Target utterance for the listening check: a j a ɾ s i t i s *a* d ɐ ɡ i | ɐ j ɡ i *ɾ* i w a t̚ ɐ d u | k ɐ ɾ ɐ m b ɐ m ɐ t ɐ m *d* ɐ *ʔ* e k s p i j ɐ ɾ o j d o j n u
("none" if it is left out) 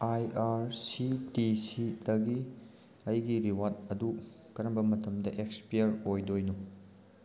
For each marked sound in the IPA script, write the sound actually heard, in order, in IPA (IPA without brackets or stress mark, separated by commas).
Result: i, ɾ, d, ʔ